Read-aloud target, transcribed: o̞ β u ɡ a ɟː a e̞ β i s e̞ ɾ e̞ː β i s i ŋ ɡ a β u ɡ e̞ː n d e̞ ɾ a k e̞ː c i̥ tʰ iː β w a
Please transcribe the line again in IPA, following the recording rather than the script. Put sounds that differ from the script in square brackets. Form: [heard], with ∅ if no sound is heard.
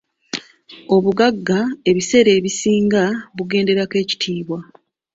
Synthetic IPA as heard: o̞ β u ɡ a [ɡː] a e̞ β i s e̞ ɾ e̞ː β i s [iː] ŋ ɡ a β u ɡ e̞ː n d e̞ ɾ a k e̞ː c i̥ tʰ iː β w a